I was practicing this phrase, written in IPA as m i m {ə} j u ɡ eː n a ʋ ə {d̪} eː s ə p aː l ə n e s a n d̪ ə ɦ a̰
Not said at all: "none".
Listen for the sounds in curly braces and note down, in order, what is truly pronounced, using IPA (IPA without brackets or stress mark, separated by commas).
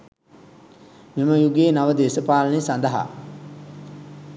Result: ə, d̪